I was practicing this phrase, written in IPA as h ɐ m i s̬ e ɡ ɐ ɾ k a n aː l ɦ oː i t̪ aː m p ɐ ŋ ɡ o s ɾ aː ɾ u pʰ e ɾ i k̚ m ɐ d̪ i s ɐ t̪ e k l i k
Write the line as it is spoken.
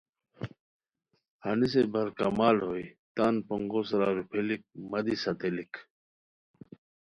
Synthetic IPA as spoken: h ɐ n i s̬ e b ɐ ɾ k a m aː l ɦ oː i t̪ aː n p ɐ ŋ ɡ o s ɾ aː ɾ u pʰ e l i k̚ m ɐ d̪ i s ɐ t̪ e l i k